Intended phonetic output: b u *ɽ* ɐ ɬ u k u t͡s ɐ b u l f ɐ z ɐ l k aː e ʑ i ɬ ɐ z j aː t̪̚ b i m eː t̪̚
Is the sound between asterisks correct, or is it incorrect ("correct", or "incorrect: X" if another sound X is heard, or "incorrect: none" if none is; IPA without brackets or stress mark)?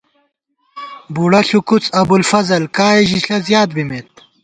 correct